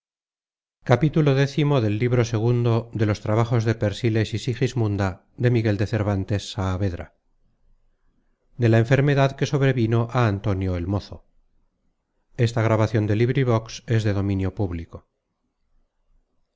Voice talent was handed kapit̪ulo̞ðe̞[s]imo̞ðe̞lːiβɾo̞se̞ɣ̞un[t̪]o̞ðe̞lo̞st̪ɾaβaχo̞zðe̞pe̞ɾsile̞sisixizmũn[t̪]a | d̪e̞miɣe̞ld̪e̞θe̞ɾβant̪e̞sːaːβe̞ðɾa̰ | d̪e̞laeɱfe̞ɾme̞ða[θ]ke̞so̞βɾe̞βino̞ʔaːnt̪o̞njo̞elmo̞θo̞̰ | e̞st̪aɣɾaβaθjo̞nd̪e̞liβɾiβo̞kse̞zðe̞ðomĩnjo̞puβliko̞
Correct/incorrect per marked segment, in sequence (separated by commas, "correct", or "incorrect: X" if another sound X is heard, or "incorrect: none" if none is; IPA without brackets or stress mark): incorrect: θ, incorrect: d̪, incorrect: d̪, incorrect: ð